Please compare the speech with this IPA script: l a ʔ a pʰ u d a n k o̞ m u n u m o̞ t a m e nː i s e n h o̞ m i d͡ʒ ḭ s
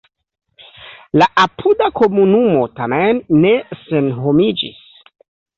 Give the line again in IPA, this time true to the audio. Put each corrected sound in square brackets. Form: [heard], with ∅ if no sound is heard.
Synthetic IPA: l a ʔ a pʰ u d a [∅] k o̞ m u n u m o̞ t a m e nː [e] s e n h o̞ m i d͡ʒ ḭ s